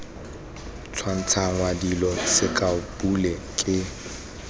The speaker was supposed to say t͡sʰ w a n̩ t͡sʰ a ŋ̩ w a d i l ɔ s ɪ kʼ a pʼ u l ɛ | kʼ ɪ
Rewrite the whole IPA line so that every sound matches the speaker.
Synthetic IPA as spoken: t͡sʰ w a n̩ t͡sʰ a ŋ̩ w a d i l ɔ s ɪ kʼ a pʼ u l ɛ | kʼ ɪ